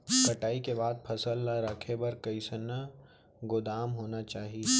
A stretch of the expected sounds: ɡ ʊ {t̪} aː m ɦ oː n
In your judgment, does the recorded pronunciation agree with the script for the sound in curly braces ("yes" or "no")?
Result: no